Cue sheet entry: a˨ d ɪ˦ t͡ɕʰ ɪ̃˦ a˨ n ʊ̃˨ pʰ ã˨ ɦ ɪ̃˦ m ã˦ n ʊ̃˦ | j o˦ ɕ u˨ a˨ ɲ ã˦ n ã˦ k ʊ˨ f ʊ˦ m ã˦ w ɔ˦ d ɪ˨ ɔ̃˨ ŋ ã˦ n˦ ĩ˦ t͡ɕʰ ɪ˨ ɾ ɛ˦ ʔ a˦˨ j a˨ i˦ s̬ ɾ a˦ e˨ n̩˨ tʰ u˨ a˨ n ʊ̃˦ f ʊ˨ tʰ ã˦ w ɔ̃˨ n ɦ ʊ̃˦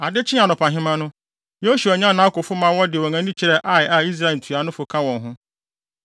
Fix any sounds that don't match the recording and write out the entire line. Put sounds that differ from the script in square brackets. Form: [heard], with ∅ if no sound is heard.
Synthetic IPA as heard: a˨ d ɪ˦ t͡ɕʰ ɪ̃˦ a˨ n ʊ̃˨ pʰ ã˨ ɦ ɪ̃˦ m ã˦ n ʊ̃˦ | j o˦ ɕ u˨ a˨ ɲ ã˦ n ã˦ k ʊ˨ f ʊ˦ m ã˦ w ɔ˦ d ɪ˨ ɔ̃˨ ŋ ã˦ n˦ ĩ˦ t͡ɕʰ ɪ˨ ɾ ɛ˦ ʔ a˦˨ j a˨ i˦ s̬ ɾ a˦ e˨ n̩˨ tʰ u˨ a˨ n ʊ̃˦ f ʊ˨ [kʰ] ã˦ w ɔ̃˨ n ɦ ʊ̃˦